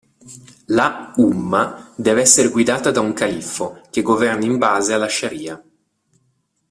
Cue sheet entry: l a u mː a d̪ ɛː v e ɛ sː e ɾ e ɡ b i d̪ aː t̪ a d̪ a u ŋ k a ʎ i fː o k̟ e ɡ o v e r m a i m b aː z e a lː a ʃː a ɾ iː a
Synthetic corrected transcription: l a u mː a d̪ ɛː v e ɛ sː e ɾ e ɡ w i d̪ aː t̪ a d̪ a u ŋ k a l i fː o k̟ e ɡ o v ɛ r n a i m b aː z e a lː a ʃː a ɾ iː a